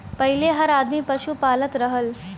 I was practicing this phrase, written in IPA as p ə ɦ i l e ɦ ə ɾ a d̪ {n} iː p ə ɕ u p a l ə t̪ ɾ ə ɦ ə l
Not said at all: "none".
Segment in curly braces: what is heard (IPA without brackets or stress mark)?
m